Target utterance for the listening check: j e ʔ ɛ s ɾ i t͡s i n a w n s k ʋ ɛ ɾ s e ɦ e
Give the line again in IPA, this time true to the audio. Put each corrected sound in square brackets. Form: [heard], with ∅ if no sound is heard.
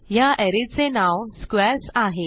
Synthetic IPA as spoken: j [a] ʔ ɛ [∅] ɾ i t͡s [e] n a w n s k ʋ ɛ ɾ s [a] ɦ e

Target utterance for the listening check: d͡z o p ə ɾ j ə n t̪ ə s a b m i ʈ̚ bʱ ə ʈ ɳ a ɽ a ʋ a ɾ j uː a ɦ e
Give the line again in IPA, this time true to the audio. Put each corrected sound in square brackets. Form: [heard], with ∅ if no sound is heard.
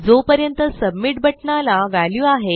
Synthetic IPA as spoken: d͡z o p ə ɾ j ə n t̪ ə s [ə] b m i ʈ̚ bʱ ə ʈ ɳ a [l] a ʋ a [l] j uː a ɦ e

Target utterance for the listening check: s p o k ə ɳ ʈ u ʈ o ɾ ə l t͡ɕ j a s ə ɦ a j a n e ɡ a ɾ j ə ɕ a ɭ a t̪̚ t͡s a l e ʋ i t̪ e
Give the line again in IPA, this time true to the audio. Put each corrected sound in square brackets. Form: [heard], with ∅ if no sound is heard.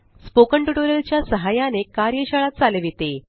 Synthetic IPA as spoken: s p o k ə ɳ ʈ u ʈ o ɾ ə l t͡ɕ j a s ə ɦ a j a n e [k] a ɾ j ə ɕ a ɭ a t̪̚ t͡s a l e ʋ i t̪ e

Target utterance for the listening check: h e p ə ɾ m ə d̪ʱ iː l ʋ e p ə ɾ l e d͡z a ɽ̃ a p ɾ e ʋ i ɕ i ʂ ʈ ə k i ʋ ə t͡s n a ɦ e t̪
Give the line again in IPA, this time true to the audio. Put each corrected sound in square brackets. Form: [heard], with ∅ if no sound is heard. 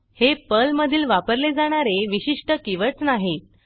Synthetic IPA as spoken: h e p ə [l] m ə d̪ʱ iː l ʋ [a] p ə ɾ l e d͡z a ɽ̃ a [∅] ɾ e ʋ i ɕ i ʂ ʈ ə k i ʋ ə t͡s n a ɦ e t̪

